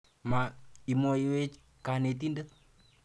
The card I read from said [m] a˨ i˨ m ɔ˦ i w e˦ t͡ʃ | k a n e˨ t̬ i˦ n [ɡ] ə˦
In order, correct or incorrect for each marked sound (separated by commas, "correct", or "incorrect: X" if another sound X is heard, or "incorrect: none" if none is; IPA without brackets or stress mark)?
correct, incorrect: d